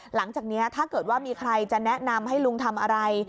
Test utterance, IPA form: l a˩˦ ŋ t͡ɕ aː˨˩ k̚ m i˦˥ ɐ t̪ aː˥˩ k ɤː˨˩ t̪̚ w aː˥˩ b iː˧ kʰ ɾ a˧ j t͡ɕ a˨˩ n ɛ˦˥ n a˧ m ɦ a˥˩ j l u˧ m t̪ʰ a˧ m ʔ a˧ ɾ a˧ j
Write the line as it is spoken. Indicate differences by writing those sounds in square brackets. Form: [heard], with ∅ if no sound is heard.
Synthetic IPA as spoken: l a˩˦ ŋ t͡ɕ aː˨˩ k̚ [n] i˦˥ ɐ [t̪ʰ] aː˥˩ k ɤː˨˩ t̪̚ w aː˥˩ [m] iː˧ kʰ ɾ a˧ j t͡ɕ a˨˩ n ɛ˦˥ n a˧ m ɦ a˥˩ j l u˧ [ŋ] t̪ʰ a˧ m ʔ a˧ ɾ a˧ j